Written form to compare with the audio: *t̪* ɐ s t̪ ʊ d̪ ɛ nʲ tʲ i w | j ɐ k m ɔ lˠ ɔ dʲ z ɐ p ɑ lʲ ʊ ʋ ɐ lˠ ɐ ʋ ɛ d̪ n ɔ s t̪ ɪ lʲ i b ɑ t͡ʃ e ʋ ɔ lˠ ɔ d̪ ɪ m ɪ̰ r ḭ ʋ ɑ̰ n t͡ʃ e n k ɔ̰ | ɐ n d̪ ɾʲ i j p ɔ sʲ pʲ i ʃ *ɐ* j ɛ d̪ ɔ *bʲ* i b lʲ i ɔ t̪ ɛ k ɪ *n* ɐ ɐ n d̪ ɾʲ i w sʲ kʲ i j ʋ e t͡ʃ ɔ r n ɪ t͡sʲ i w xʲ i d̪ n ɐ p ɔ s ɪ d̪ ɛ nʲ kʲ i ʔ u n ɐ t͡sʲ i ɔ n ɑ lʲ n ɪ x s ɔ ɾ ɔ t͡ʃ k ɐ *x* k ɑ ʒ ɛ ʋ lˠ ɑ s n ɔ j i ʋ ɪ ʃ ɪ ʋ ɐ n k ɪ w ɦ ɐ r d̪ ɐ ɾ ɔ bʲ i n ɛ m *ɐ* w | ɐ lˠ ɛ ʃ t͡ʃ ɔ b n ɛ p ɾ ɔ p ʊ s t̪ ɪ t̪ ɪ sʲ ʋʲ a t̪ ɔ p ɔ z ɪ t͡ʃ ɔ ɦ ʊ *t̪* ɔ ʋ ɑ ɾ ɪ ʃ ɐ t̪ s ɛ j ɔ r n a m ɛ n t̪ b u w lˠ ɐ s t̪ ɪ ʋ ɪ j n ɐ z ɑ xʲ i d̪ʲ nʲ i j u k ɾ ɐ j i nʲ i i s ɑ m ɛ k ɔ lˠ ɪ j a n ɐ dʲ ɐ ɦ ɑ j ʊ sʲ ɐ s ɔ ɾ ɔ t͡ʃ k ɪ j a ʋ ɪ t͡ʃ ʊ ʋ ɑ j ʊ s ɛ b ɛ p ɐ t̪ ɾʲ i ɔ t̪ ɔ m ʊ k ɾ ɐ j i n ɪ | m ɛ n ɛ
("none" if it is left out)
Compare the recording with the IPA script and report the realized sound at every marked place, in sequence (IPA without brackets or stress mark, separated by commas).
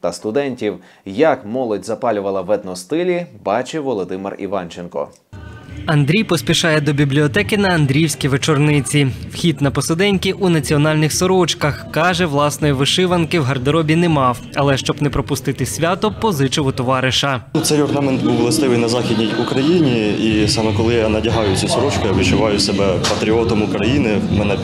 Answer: t̪, ɑ, bʲ, n, x, ɑ, t̪